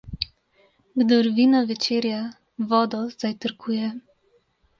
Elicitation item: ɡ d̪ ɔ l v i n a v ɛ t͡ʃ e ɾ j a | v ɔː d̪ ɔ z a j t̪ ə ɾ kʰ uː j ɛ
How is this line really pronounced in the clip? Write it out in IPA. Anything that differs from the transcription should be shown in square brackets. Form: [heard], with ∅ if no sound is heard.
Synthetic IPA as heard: ɡ d̪ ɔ [ɾ] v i n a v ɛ t͡ʃ e ɾ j a | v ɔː d̪ ɔ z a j t̪ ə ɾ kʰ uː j ɛ